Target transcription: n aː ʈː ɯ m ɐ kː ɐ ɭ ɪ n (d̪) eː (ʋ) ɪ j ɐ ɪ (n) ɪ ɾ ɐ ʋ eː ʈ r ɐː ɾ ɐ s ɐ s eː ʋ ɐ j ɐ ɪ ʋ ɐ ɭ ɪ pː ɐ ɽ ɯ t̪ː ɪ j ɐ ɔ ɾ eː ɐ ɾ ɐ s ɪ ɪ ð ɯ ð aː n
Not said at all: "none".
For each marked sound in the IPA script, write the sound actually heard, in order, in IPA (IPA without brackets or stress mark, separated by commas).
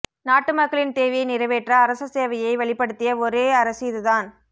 t̪, ʋ, n